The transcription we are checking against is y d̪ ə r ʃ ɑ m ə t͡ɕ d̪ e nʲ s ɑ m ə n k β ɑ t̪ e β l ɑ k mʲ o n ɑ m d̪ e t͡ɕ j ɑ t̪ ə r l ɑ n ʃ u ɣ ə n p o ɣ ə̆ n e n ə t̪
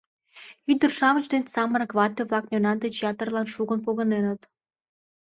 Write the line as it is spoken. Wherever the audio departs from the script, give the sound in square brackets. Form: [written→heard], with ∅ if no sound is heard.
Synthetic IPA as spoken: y d̪ ə r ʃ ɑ m ə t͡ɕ d̪ e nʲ s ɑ m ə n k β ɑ t̪ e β l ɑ k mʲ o n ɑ [m→n] d̪ e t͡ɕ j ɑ t̪ ə r l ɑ n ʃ u ɣ ə n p o ɣ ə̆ n e n ə t̪